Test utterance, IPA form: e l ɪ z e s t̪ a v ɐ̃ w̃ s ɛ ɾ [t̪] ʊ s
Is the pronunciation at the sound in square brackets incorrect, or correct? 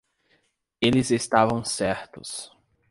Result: correct